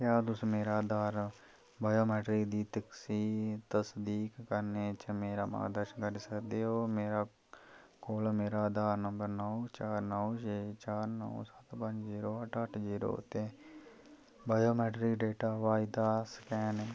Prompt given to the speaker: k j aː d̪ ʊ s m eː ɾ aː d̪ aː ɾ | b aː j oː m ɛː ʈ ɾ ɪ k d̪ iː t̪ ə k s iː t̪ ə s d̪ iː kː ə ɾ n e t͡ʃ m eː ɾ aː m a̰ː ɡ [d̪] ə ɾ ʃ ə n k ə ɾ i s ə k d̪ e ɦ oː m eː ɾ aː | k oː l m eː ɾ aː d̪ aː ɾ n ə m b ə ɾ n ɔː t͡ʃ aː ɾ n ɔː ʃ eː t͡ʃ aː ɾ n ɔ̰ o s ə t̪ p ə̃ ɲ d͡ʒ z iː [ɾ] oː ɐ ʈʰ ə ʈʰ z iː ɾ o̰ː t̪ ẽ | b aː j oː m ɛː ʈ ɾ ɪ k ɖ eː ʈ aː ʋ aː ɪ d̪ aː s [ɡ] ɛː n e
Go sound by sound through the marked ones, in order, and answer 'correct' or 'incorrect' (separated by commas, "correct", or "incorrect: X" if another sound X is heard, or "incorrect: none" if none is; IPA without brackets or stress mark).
correct, correct, incorrect: k